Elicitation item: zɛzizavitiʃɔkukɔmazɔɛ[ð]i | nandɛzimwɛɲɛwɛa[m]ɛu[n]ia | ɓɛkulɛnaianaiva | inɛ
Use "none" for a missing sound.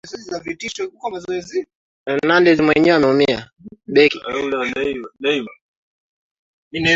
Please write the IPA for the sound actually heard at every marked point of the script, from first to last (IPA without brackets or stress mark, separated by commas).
z, m, m